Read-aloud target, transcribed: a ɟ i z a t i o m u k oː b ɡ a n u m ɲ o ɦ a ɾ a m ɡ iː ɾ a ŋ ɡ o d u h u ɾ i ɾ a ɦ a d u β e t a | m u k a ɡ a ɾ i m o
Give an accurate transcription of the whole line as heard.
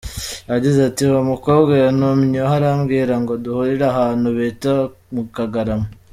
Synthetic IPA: a ɟ i z a t i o m u k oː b ɡ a n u m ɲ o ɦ a ɾ a m ɡ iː ɾ a ŋ ɡ o d u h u ɾ i ɾ a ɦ a n u β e t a | m u k a ɡ a ɾ a m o

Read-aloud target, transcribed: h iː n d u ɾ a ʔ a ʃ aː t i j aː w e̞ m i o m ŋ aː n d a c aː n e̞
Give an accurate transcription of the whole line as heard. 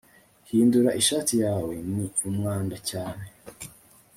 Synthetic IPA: h iː n d u ɾ a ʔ i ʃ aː t i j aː w e̞ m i u m ŋ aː n d a c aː n e̞

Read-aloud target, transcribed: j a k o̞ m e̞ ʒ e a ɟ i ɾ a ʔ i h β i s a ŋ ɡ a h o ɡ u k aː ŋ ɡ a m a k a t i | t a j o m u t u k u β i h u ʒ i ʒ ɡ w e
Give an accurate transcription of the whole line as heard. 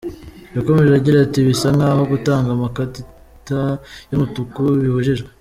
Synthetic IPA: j a k o̞ m e̞ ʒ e a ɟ i ɾ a t i β i s a ŋ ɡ a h o ɡ u t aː ŋ ɡ a m a k a t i | t a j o m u t u k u β i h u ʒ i ʒ ɡ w e

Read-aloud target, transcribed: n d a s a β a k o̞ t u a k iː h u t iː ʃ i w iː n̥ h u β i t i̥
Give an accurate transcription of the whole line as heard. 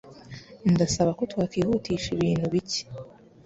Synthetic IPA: n d a s a β a k o̞ t w a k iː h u t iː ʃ i β iː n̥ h u β i c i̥

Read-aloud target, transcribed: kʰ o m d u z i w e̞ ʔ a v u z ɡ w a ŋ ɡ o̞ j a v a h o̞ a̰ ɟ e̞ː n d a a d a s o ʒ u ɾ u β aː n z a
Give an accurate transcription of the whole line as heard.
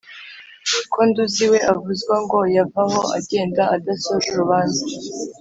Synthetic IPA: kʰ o n d u z i w e̞ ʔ a v u z ɡ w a ŋ ɡ o̞ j a v a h o̞ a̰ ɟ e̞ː n d a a d a s o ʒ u ɾ u β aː n z a

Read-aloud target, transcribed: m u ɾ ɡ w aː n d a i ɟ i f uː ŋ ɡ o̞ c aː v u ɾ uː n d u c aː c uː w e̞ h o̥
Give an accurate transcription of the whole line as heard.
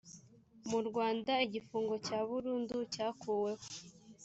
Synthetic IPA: m u ɾ ɡ w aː n d a i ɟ i f uː ŋ ɡ o̞ c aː β u ɾ uː n d u c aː k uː w e̞ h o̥

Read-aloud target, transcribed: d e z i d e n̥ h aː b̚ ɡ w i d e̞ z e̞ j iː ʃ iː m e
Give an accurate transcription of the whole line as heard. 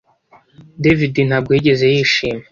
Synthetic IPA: d e v i d i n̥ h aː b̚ ɡ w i ɟ e̞ z e̞ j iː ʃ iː m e

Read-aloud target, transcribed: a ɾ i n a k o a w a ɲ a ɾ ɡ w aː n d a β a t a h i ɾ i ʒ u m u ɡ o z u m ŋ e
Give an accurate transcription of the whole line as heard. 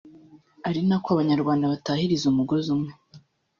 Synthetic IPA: a ɾ i n a k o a β a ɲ a ɾ ɡ w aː n d a β a t a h i ɾ i z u m u ɡ o z u m ŋ e

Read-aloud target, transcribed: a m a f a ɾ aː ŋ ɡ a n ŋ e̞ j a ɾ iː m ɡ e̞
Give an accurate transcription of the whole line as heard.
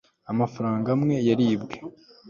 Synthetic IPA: a m a f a ɾ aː ŋ ɡ a m ŋ e̞ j a ɾ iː b ɡ e̞

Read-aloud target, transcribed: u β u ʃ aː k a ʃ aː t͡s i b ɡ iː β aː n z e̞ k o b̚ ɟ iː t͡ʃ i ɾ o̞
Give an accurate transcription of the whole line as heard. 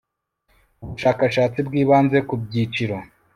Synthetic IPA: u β u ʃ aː k a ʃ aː t͡s i b ɡ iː β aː n z e̞ k u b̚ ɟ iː t͡ʃ i ɾ o̞

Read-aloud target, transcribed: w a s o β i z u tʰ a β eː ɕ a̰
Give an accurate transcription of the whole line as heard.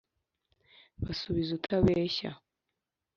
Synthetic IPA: β a s u β i z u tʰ a β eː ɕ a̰

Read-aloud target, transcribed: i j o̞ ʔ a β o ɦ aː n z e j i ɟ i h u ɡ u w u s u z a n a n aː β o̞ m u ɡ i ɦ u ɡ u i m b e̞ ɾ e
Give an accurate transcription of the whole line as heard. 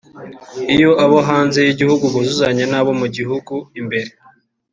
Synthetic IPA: i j o̞ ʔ a β o ɦ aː n z e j i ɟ i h u ɡ u β u z u z a ɲ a n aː β o̞ m u ɟ i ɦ u ɡ u i m b e̞ ɾ e

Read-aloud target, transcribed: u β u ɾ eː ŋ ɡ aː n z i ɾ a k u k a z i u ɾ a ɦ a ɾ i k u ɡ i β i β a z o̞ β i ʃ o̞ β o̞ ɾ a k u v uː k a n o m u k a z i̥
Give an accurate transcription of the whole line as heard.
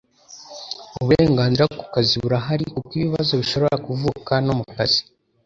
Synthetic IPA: u β u ɾ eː ŋ ɡ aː n z i ɾ a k u k a z i u ɾ a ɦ a ɾ i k u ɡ i β i β a z o̞ β i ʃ o̞ β o̞ ɾ a k u v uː k a n o m u k a z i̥

